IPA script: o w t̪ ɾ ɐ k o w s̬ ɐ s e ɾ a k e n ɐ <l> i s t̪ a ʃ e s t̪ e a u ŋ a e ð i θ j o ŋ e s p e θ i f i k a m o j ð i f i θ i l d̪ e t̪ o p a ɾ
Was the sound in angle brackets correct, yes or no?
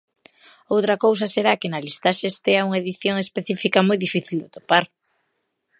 yes